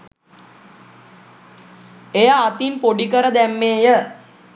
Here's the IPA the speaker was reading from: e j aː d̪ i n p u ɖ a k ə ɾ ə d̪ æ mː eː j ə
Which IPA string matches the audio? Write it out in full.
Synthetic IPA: e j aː t̪ i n p o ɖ i k ə ɾ ə d̪ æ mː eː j ə